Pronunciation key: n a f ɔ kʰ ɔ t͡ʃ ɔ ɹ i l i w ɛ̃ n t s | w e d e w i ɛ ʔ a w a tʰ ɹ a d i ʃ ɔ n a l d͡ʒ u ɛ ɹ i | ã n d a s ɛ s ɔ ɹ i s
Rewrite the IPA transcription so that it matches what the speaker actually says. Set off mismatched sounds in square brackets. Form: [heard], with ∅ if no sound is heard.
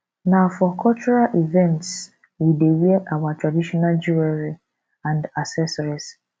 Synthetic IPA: n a f ɔ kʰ ɔ t͡ʃ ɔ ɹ [a] l i [v] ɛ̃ n t s | w [i] d e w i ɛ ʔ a w a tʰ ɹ a d i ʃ ɔ n a l d͡ʒ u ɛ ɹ i | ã n d a s ɛ s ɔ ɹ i s